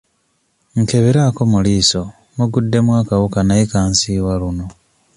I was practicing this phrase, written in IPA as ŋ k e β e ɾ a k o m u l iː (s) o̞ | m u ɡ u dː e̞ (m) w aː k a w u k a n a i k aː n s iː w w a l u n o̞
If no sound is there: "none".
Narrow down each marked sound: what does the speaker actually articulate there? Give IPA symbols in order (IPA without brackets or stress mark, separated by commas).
s, m